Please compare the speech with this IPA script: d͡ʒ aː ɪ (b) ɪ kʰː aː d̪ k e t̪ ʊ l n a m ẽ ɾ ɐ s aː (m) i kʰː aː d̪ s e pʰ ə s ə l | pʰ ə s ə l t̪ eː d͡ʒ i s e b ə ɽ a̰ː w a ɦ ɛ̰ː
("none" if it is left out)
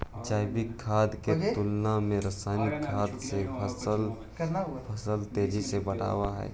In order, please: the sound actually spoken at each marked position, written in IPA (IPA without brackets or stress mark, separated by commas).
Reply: b, n